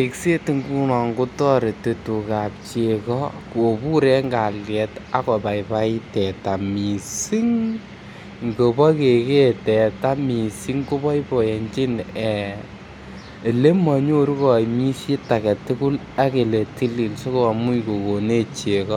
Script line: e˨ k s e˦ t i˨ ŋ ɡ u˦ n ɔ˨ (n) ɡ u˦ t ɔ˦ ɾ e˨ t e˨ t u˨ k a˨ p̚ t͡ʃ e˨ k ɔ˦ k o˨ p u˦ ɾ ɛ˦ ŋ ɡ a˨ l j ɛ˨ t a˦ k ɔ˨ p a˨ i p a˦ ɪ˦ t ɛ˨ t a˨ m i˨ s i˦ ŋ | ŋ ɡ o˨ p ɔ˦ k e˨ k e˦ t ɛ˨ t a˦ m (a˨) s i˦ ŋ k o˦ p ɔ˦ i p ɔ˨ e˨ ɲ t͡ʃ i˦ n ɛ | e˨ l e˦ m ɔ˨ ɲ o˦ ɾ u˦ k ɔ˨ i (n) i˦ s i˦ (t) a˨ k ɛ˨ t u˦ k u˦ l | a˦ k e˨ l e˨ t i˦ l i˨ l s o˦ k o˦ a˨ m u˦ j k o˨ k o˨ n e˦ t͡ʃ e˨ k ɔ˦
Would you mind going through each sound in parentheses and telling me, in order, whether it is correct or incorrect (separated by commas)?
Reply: incorrect, incorrect, incorrect, correct